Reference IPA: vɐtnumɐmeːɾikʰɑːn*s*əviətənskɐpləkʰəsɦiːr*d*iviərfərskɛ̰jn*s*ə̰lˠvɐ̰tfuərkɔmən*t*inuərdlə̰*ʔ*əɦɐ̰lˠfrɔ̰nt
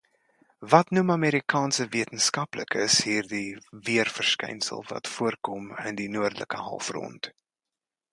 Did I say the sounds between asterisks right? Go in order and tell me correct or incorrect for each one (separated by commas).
correct, correct, correct, incorrect, incorrect